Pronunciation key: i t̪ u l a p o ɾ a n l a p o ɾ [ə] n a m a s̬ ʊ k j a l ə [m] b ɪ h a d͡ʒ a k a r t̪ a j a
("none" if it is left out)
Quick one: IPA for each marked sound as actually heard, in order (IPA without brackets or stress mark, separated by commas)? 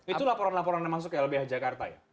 a, none